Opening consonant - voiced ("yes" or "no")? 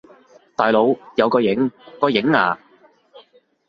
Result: no